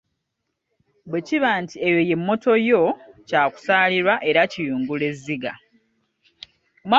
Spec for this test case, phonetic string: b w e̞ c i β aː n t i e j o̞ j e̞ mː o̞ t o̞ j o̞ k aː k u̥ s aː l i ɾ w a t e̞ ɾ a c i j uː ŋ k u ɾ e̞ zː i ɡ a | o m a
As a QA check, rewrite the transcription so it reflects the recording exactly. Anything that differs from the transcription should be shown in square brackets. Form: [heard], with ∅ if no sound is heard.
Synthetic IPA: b w e̞ c i β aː n t i e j o̞ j e̞ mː o̞ t o̞ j o̞ [c] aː k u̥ s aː l i ɾ w a [ʔ] e̞ ɾ a c i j uː ŋ [ɡ] u [l] e̞ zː i ɡ a | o m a